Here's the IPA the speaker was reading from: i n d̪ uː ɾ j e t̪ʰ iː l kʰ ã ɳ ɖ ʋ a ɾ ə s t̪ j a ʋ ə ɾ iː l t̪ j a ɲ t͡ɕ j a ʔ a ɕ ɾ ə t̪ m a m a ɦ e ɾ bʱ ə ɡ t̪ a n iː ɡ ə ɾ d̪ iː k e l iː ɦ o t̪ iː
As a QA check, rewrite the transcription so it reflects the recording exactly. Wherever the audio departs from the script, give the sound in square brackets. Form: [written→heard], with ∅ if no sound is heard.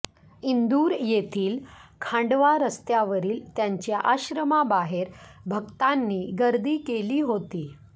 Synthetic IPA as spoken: i n d̪ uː ɾ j e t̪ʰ iː l kʰ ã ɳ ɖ ʋ a ɾ ə s t̪ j a ʋ ə ɾ iː l t̪ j a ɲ t͡ɕ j a ʔ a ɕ ɾ ə [t̪→∅] m a [m→b] a ɦ e ɾ bʱ ə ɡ t̪ a [n→nː] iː ɡ ə ɾ d̪ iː k e l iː ɦ o t̪ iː